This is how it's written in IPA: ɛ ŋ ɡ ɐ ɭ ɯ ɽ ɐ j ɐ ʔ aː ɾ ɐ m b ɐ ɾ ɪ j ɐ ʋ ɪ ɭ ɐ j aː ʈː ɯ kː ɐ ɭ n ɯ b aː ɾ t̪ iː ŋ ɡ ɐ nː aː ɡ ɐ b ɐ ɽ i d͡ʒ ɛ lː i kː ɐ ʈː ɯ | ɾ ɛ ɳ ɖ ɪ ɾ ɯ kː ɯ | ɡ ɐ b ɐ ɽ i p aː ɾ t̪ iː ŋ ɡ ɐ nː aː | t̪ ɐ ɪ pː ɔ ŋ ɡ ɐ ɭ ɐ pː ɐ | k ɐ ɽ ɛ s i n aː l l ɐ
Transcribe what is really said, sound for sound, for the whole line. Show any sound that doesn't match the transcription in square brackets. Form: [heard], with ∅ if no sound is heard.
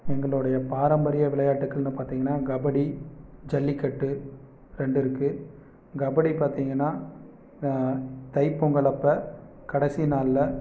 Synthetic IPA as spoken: ɛ ŋ ɡ ɐ ɭ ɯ ɽ ɐ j ɐ [p] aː ɾ ɐ m b ɐ ɾ ɪ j ɐ ʋ ɪ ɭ ɐ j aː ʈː ɯ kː ɐ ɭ n ɯ [p] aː ɾ t̪ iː ŋ ɡ ɐ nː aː ɡ ɐ b ɐ ɽ i d͡ʒ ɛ lː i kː ɐ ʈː ɯ | ɾ ɛ ɳ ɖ ɪ ɾ ɯ kː ɯ | ɡ ɐ b ɐ ɽ i p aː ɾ t̪ iː ŋ ɡ ɐ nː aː | t̪ ɐ ɪ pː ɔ ŋ ɡ ɐ ɭ ɐ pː ɐ | k ɐ ɽ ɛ s i n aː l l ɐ